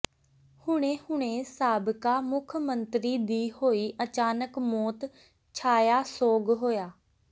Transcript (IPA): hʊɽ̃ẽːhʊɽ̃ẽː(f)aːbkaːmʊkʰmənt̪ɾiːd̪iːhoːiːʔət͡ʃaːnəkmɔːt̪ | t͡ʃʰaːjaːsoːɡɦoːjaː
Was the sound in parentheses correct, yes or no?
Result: no